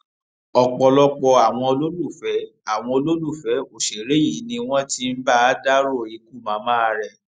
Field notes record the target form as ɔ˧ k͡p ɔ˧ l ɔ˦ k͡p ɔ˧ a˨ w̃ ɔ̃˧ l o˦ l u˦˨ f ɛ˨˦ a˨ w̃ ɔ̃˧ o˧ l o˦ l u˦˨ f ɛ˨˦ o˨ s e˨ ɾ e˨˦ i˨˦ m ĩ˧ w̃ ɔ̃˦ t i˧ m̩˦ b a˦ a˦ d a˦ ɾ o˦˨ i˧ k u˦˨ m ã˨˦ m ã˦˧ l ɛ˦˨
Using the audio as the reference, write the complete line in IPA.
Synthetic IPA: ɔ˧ k͡p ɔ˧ l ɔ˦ k͡p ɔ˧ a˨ w̃ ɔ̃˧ l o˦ l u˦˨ f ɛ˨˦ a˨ w̃ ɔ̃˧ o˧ l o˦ l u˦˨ f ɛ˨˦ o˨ ʃ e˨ ɾ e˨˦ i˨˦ n ĩ˧ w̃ ɔ̃˦ t i˧ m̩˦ b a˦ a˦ d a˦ ɾ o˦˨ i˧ k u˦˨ m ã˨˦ m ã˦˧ ɾ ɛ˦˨